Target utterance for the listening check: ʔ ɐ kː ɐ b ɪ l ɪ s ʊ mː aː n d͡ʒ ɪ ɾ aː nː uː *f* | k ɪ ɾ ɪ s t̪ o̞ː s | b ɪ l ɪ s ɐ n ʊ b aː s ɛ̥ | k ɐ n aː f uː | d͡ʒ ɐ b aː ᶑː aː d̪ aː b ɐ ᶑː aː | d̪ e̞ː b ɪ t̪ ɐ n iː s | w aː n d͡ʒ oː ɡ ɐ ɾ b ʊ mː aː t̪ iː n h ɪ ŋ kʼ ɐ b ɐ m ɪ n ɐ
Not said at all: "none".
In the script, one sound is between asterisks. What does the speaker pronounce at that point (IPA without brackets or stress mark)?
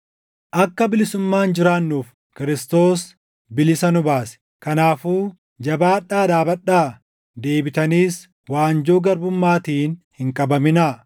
f